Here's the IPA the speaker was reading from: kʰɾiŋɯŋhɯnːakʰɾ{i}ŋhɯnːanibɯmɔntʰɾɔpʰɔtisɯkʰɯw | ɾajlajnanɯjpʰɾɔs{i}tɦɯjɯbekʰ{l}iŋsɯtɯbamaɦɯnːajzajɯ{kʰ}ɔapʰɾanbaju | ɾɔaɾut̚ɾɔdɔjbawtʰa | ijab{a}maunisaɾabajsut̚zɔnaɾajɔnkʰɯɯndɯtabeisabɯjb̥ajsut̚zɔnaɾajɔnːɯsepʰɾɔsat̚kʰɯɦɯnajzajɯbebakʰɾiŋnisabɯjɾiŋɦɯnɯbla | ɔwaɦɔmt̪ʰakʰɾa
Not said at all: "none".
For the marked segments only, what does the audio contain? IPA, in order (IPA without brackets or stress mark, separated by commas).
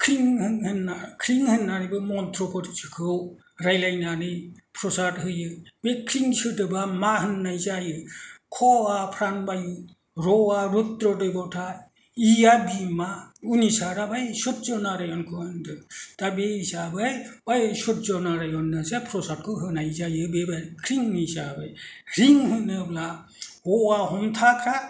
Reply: i, a, ɾ, kʰ, i